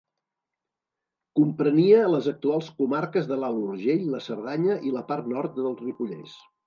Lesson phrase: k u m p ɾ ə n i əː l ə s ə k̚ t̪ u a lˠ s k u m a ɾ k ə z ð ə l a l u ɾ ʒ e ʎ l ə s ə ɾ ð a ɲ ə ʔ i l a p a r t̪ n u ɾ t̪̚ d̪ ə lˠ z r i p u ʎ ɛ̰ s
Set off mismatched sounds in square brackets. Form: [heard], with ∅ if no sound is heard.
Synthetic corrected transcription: k u m p ɾ ə n i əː l ə [z] ə k̚ t̪ u a lˠ s k u m a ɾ k ə z ð ə l a l u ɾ ʒ e ʎ l ə s ə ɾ ð a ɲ ə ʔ i l [ə] p a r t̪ n [ɔ] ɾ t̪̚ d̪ ə lˠ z r i p u ʎ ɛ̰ s